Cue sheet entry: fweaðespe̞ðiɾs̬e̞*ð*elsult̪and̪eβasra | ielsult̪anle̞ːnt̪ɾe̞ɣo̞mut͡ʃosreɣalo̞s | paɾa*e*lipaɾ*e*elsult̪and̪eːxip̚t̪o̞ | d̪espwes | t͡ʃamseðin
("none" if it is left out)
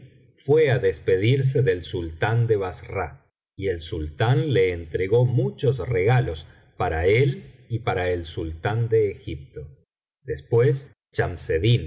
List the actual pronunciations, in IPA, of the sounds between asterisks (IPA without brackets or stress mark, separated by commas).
ð, e, a